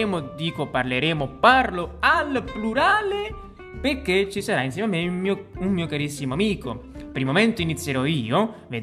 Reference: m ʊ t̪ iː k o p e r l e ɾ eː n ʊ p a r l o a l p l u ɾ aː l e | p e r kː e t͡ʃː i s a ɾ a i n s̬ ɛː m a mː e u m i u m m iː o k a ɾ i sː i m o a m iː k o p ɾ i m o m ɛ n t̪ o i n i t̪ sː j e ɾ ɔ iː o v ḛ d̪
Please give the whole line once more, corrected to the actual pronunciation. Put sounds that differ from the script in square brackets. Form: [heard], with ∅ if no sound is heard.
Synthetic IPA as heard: m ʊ [d̪] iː k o p [a] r l e ɾ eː [m] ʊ p a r l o a l p l u ɾ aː l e | p e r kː e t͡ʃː i s a ɾ a i n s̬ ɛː m a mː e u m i u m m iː o k a ɾ i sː i m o a m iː k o p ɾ i m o m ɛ n t̪ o i n i t̪ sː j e ɾ ɔ iː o v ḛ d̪